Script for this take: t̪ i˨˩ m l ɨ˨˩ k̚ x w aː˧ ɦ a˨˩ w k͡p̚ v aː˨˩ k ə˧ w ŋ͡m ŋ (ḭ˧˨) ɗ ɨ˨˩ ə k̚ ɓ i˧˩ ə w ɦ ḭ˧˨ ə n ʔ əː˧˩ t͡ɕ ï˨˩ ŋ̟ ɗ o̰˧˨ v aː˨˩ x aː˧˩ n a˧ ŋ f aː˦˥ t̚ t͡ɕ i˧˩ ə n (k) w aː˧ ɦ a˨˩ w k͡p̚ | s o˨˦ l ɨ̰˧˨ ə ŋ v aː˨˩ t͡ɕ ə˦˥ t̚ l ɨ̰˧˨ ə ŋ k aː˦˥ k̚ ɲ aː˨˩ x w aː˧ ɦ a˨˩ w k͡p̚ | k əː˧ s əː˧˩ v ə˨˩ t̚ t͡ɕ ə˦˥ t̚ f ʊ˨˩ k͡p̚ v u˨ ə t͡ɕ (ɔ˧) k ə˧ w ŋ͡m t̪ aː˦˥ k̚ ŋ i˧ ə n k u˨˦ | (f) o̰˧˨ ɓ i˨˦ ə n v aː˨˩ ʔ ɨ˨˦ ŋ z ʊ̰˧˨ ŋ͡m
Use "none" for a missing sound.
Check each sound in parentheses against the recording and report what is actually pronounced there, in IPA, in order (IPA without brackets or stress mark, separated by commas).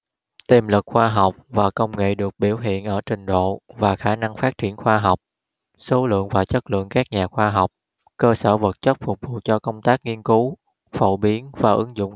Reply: ḛ˧˨, x, ɔ˧, f